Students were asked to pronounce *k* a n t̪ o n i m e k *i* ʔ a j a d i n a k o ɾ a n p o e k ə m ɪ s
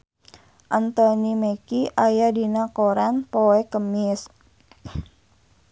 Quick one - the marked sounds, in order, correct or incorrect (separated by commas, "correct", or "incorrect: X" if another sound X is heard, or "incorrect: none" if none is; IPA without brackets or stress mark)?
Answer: incorrect: ʔ, correct